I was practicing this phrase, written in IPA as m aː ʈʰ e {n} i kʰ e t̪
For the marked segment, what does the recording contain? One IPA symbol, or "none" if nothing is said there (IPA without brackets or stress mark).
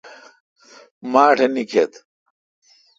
n